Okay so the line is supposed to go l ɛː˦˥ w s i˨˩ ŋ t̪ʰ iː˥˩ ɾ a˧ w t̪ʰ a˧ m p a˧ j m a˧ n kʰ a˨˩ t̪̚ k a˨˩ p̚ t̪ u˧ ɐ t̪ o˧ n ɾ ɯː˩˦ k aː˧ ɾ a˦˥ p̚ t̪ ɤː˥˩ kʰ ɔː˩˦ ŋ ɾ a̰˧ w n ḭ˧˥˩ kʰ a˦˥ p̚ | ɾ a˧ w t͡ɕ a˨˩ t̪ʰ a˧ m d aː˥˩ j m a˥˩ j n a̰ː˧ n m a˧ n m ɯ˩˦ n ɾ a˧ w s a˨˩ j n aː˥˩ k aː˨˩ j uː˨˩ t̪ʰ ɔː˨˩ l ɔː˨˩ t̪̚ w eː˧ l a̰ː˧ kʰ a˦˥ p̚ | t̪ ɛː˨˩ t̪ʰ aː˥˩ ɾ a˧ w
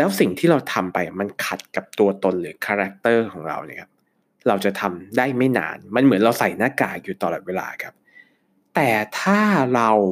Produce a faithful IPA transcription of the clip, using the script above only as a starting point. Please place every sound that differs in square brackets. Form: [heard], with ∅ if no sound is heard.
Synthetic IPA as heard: l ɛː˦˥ w s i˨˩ ŋ t̪ʰ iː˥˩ ɾ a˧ w t̪ʰ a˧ m p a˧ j m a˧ n kʰ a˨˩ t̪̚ k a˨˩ p̚ t̪ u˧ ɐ t̪ o˧ n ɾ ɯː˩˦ [kʰ] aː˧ ɾ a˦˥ [k̚] t̪ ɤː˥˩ kʰ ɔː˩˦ ŋ ɾ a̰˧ w n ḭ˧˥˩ kʰ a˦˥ p̚ | ɾ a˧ w t͡ɕ a˨˩ t̪ʰ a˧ m d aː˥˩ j m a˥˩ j n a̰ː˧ n m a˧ n m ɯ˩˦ n ɾ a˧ w s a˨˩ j n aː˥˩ k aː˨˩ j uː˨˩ [t̪] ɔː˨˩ l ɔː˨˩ t̪̚ w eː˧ l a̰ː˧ kʰ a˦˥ p̚ | t̪ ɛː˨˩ t̪ʰ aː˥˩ ɾ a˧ w